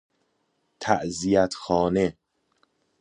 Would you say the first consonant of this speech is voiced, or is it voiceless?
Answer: voiceless